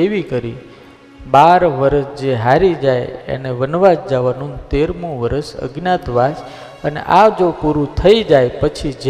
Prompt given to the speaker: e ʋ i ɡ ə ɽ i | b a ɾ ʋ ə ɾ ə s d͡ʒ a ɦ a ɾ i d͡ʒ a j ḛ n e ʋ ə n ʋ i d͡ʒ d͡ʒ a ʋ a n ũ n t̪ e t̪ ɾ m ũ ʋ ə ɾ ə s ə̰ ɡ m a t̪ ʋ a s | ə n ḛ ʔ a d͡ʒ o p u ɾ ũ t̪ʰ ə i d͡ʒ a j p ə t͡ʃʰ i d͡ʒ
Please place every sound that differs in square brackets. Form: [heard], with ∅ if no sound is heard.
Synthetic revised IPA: e ʋ i [k] ə [ɾ] i | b a ɾ ʋ ə ɾ ə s d͡ʒ [e] ɦ a ɾ i d͡ʒ a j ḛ n e ʋ ə n ʋ [a] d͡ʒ d͡ʒ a ʋ a n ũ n t̪ e [∅] ɾ m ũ ʋ ə ɾ ə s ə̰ ɡ [n] a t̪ ʋ a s | ə n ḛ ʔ a d͡ʒ o p u ɾ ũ t̪ʰ ə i d͡ʒ a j p ə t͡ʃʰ i d͡ʒ